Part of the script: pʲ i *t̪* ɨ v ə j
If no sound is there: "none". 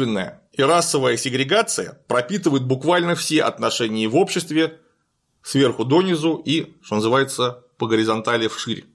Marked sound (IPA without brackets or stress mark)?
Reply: t̪